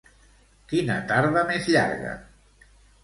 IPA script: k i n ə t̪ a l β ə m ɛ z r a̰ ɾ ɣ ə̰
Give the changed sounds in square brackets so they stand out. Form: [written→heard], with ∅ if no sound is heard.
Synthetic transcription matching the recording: k i n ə t̪ a [l→ɾ] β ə m [ɛ→e] z [r→ʎ] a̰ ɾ ɣ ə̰